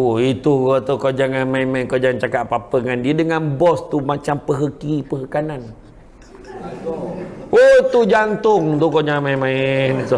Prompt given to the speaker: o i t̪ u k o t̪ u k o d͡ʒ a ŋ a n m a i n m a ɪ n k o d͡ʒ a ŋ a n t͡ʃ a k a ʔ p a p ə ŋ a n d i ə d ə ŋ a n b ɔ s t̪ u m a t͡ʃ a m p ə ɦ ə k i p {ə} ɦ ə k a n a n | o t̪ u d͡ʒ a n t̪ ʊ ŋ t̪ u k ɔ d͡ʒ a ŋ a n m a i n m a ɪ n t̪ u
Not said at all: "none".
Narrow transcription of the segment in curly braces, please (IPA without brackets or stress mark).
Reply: ə